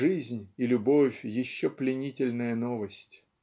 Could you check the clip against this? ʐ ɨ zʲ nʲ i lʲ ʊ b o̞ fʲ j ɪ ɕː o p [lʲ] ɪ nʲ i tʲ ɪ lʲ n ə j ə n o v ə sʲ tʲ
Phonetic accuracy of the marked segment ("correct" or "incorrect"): correct